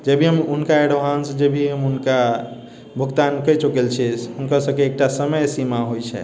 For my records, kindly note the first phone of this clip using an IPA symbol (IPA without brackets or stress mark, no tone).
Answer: d͡ʒ